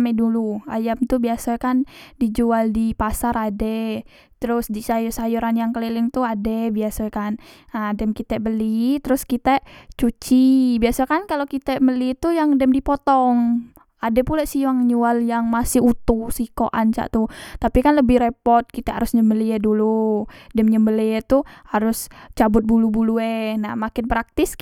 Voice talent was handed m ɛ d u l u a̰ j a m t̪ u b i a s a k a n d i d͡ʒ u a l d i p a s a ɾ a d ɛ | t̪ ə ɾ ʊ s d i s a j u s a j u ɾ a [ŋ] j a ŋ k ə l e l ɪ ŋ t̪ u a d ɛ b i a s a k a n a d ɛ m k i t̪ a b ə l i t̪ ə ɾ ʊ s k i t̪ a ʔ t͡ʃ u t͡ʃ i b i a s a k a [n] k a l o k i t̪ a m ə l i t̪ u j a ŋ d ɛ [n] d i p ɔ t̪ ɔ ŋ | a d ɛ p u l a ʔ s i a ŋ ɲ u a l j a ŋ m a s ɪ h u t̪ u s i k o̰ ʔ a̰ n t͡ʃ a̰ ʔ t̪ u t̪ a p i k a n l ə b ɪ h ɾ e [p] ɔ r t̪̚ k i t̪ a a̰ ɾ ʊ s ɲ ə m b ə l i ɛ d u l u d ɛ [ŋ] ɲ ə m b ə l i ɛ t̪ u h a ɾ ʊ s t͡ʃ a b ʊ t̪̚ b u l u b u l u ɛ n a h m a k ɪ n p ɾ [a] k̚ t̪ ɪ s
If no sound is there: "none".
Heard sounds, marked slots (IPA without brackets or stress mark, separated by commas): n, n, m, p, m, a